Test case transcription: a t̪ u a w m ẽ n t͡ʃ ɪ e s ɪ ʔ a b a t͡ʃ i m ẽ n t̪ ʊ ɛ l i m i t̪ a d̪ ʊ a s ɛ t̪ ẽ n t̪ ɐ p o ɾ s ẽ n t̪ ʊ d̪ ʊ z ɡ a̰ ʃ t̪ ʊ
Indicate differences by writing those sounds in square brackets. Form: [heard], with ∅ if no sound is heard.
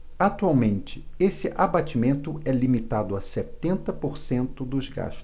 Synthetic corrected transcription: a t̪ u a w m ẽ n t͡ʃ ɪ e s ɪ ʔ a b a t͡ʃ i m ẽ n t̪ ʊ ɛ l i m i t̪ a d̪ ʊ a s ɛ t̪ ẽ n t̪ ɐ p o ɾ s ẽ n t̪ ʊ d̪ ʊ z ɡ a̰ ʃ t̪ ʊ